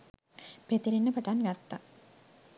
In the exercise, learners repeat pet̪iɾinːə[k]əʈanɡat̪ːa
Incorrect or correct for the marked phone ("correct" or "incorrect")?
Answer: incorrect